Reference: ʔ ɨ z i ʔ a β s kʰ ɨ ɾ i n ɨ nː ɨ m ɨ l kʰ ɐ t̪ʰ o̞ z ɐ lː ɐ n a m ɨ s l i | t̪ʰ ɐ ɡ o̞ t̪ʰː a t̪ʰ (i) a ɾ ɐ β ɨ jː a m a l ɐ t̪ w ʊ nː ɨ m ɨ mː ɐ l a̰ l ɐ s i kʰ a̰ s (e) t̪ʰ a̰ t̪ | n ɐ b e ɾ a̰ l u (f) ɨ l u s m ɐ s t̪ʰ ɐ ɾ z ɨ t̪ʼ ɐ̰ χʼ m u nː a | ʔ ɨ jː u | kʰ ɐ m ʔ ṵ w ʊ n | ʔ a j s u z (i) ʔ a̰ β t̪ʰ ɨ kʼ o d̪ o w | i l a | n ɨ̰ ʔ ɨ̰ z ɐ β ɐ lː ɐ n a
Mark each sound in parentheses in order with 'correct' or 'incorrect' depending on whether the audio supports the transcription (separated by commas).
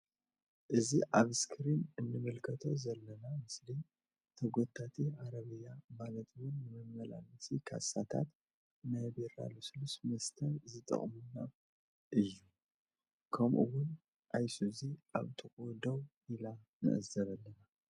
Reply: correct, incorrect, incorrect, correct